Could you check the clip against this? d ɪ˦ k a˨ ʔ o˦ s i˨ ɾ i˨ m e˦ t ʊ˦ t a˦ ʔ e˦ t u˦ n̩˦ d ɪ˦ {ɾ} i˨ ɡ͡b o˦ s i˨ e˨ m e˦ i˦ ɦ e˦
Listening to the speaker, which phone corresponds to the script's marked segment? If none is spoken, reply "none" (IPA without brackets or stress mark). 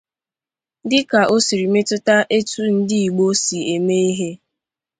none